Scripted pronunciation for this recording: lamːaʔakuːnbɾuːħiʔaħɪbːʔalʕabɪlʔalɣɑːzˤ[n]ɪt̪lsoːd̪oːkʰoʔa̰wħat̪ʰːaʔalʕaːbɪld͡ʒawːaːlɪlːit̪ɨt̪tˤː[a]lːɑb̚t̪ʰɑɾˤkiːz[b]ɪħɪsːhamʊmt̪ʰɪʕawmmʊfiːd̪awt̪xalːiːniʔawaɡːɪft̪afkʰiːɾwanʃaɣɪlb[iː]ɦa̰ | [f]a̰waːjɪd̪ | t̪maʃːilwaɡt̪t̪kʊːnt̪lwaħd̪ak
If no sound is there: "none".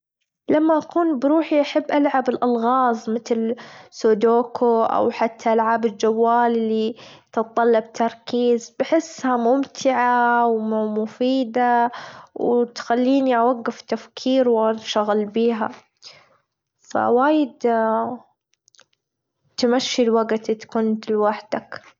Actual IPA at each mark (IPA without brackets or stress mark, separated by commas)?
m, ɑ, b, iː, f